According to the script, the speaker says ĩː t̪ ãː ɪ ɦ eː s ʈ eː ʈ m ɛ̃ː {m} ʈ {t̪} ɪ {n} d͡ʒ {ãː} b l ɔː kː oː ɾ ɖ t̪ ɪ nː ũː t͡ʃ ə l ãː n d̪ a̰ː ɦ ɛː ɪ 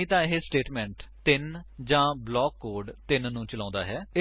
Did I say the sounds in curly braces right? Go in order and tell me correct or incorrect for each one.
incorrect, correct, correct, correct

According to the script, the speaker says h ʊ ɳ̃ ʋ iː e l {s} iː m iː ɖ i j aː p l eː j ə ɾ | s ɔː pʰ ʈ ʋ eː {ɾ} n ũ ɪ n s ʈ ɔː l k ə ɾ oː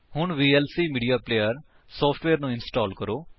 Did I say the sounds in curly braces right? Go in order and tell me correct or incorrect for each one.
correct, correct

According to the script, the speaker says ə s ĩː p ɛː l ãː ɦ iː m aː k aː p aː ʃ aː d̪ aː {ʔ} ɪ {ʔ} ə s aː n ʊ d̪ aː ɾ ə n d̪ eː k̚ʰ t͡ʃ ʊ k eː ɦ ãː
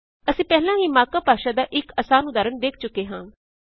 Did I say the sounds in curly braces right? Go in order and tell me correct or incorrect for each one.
correct, incorrect

